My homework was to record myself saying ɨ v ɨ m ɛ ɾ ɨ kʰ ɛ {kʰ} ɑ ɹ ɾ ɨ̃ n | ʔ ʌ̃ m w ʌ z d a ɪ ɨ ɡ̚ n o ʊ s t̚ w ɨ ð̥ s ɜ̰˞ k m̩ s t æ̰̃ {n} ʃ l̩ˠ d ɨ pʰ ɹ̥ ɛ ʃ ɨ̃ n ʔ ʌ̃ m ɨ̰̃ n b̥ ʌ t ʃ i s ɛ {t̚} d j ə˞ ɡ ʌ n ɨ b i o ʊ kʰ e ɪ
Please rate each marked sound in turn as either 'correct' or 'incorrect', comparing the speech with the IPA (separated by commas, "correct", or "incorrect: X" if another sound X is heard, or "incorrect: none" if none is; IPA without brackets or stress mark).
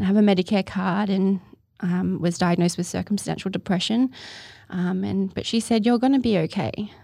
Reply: correct, correct, incorrect: none